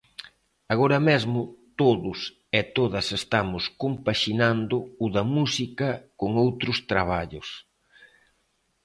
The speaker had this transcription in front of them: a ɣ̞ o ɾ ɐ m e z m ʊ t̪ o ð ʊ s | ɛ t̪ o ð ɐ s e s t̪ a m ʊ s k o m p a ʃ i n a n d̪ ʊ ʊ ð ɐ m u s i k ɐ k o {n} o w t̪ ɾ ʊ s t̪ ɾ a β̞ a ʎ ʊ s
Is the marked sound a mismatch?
yes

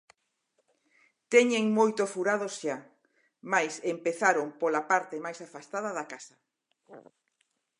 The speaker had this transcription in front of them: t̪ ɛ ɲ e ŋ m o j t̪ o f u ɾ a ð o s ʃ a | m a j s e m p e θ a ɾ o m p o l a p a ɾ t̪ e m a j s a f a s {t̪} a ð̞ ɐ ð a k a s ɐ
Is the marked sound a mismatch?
no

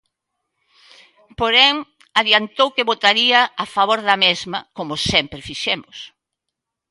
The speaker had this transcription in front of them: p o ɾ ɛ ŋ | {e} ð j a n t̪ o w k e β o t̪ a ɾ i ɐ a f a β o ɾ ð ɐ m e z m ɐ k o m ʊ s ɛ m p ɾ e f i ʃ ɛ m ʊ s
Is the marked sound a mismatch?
yes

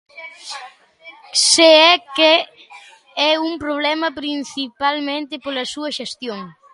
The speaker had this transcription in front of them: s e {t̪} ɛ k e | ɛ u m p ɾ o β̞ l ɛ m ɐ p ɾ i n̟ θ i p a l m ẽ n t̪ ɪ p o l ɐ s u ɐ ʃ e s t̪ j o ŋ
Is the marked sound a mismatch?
yes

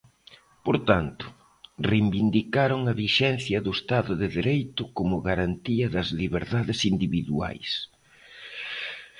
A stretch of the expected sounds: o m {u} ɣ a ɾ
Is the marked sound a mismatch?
yes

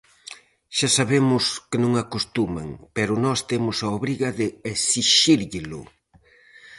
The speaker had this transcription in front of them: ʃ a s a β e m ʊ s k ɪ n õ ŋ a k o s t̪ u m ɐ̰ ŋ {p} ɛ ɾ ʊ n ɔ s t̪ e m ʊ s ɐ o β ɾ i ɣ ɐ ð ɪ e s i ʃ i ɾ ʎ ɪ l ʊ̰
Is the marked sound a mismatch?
no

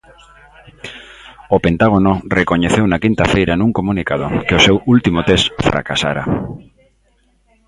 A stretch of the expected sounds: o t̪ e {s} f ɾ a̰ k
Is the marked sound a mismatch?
no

